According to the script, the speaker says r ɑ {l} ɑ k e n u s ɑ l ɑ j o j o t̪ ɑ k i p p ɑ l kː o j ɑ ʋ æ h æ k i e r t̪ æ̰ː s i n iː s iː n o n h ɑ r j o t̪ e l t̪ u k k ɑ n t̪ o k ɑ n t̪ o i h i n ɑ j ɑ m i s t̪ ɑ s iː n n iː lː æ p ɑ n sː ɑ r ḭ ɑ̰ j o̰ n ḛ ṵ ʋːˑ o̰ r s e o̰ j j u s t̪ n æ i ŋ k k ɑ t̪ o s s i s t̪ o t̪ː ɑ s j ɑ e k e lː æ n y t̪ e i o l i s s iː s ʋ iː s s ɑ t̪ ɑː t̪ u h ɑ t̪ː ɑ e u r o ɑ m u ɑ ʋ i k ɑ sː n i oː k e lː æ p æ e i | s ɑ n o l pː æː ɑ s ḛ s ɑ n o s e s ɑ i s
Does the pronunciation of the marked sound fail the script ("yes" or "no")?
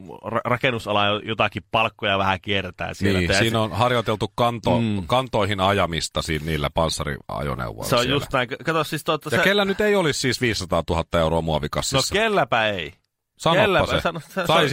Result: yes